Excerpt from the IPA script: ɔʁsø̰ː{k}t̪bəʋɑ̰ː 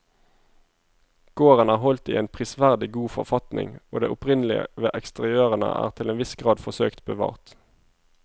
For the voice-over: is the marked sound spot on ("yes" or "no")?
yes